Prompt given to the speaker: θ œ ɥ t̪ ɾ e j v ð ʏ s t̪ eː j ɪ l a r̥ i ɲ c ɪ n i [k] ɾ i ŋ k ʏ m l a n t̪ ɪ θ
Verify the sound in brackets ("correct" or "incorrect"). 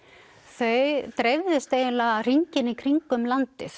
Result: incorrect